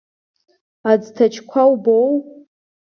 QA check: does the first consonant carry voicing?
yes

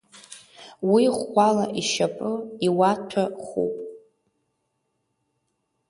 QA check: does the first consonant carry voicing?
yes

